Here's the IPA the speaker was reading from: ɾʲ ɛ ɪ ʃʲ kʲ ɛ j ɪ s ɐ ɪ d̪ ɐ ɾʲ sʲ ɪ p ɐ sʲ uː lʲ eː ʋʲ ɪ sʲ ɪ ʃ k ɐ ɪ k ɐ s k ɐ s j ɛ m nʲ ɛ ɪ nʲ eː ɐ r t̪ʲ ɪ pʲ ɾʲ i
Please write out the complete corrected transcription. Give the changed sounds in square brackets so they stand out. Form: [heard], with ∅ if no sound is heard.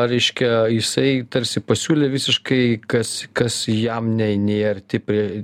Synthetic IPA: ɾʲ ɛ ɪ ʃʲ kʲ ɛ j ɪ s ɐ ɪ [t̪] ɐ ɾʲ sʲ ɪ p ɐ sʲ uː lʲ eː ʋʲ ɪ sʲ ɪ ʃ k ɐ ɪ k ɐ s k ɐ s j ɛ m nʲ ɛ ɪ nʲ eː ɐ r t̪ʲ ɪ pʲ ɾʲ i